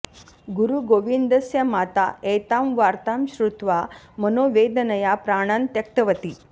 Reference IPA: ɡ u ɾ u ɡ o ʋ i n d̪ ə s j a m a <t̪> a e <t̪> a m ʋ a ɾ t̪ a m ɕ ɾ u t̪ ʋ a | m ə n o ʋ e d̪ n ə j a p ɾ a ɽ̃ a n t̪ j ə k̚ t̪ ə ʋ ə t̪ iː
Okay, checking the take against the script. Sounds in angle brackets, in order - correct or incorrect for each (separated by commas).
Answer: correct, correct